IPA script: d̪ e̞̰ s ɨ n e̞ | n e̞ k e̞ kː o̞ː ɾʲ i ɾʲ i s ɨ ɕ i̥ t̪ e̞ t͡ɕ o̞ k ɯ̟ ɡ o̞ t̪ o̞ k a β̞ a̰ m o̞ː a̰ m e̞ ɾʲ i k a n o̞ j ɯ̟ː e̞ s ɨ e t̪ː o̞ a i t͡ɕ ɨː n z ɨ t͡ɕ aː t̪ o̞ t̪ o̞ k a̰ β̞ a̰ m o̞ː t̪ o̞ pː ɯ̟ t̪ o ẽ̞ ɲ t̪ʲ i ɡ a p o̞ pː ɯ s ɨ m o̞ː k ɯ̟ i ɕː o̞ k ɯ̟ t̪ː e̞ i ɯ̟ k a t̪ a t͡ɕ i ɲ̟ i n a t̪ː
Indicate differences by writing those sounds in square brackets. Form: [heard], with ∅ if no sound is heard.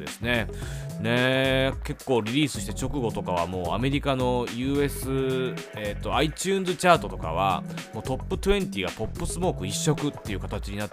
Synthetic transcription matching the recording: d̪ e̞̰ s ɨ n e̞ | n e̞ k e̞ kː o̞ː ɾʲ i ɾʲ [iː] s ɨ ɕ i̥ t̪ e̞ t͡ɕ o̞ k ɯ̟ ɡ o̞ t̪ o̞ k a β̞ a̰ m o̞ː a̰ m e̞ ɾʲ i k a n o̞ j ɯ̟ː e̞ s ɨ e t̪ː o̞ a i t͡ɕ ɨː n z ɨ t͡ɕ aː t̪ o̞ t̪ o̞ k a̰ β̞ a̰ m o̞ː t̪ o̞ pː ɯ̟ t̪ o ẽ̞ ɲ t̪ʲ i ɡ a p o̞ pː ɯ s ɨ m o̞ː k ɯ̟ i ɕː o̞ k ɯ̟ t̪ː e̞ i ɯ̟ k a t̪ a t͡ɕ i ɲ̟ i n a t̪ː